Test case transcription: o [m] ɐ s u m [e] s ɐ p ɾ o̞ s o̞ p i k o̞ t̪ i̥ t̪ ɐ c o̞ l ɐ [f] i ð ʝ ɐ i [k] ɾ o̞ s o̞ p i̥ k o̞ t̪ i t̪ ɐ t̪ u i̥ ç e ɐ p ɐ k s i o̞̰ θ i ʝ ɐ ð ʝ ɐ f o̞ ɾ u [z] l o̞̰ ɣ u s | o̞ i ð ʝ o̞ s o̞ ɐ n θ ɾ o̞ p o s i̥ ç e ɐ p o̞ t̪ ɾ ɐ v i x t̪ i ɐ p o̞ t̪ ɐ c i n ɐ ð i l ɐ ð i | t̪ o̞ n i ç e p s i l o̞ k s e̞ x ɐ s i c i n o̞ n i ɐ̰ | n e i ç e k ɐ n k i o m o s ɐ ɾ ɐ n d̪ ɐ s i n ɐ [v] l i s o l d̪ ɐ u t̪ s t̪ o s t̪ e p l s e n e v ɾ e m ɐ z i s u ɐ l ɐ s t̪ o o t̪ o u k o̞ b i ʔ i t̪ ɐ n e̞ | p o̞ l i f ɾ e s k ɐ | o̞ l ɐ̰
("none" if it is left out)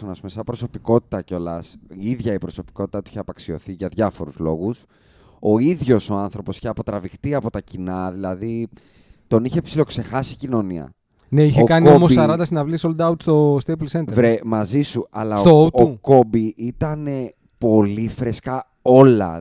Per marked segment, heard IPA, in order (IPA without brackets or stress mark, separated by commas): n, e, s, p, z, v